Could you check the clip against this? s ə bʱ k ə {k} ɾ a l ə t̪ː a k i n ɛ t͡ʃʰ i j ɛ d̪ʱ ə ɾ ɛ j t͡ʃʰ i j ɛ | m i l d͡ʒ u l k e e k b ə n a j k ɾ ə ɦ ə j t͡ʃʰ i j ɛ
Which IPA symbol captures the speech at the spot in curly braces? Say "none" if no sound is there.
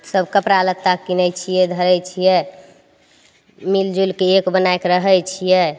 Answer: p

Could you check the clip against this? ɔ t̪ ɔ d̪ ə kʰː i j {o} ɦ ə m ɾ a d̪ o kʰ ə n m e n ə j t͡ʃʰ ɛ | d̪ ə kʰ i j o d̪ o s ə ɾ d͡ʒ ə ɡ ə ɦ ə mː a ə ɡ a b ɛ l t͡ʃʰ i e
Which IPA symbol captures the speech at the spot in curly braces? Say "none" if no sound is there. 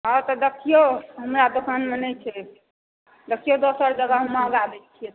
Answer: o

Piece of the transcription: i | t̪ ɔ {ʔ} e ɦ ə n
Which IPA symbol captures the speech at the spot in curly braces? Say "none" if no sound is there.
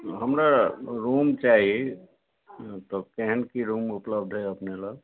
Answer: k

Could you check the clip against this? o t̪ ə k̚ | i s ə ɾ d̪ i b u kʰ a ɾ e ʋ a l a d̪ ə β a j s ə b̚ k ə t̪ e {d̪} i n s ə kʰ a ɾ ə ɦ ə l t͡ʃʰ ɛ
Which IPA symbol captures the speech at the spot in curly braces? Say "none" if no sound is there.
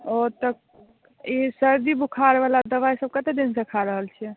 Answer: d̪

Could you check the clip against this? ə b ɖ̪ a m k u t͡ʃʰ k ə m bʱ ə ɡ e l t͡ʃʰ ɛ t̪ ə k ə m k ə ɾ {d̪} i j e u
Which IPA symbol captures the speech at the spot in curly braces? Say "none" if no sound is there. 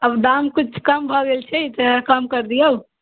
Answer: d̪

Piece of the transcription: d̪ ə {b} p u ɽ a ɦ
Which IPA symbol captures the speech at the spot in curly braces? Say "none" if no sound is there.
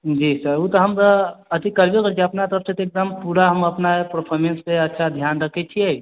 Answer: m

